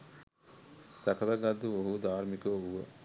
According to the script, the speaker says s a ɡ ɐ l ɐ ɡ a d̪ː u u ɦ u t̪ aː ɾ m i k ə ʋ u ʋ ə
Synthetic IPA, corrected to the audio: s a k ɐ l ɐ ɡ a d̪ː u o ɦ u d̪ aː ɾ m i k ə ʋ u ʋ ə